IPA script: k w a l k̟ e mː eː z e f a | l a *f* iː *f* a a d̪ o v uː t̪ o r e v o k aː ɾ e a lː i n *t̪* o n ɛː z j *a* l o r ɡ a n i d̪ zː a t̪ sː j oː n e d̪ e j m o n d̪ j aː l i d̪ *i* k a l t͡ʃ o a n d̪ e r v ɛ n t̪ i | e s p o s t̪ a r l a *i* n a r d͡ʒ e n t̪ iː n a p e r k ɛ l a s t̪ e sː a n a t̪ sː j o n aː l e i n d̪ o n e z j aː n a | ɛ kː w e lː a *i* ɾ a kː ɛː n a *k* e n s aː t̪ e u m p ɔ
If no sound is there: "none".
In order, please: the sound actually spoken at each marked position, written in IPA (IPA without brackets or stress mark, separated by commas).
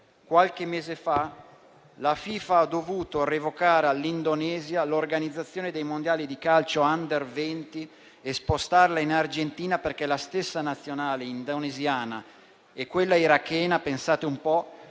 f, f, d̪, a, i, i, i, p